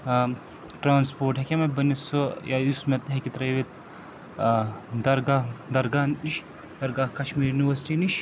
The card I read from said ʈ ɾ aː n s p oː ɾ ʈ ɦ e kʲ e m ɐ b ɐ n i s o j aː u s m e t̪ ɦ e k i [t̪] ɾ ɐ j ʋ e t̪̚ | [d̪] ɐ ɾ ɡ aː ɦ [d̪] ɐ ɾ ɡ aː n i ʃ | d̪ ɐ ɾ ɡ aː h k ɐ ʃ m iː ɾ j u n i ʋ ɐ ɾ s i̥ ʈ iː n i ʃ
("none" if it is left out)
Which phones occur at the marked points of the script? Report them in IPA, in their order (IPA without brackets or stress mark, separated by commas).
t̪, d̪, d̪